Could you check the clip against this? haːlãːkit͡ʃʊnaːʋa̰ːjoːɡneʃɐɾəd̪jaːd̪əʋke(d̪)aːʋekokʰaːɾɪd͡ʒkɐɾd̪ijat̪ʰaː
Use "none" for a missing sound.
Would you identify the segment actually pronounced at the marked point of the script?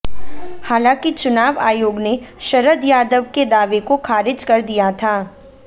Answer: d̪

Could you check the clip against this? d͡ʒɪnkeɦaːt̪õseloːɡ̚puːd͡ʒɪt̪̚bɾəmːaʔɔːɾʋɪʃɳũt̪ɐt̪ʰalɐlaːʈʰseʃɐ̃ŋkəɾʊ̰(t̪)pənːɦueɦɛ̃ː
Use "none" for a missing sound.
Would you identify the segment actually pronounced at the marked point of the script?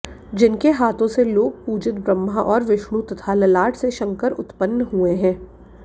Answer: t̪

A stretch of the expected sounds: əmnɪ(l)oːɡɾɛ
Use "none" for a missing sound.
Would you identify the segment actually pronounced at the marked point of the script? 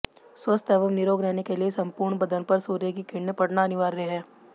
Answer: ɾ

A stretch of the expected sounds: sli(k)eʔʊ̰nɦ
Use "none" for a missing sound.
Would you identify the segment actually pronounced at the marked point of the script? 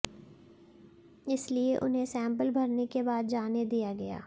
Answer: none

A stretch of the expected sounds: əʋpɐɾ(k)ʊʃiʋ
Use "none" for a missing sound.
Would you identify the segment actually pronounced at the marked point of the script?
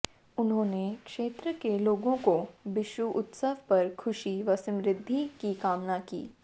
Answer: kʰ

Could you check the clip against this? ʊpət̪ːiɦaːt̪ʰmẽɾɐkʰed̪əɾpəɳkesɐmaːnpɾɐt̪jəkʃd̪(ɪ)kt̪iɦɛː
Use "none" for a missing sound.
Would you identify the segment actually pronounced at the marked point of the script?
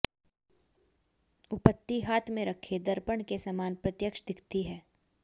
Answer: ɪ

